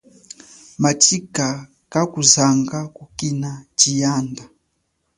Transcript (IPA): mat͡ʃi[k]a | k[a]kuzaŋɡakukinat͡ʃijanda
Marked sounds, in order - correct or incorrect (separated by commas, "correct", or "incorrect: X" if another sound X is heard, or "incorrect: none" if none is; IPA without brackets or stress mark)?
correct, correct